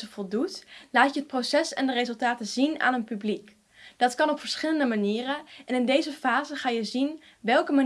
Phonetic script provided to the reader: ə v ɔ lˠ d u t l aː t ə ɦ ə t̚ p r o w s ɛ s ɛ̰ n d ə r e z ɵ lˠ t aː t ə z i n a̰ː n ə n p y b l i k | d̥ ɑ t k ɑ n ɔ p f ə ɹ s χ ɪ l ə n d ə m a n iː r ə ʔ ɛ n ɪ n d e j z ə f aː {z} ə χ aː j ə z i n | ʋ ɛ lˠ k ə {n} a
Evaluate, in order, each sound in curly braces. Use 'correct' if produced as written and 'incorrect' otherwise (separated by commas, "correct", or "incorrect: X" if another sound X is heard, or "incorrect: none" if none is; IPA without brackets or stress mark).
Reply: correct, incorrect: m